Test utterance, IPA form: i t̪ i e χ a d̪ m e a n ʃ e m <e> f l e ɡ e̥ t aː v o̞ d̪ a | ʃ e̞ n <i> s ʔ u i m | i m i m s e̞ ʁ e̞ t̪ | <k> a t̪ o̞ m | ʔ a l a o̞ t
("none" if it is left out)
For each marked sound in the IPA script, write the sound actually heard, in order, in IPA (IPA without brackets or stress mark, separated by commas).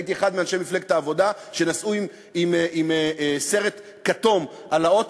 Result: i, a, k